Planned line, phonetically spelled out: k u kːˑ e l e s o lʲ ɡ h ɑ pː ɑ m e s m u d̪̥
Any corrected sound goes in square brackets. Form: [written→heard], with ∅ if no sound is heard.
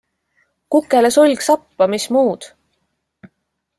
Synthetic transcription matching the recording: k u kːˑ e l e s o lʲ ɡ [h→s] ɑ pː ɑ m [e→i] s m [u→uː] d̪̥